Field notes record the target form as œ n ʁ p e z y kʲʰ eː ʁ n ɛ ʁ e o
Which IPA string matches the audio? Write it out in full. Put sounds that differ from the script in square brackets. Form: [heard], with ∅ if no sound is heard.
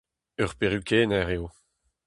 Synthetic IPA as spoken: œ [∅] ʁ p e [ʁ] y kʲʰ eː [∅] n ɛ ʁ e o